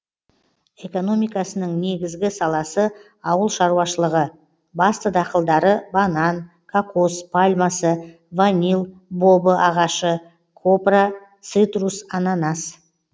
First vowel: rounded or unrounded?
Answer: unrounded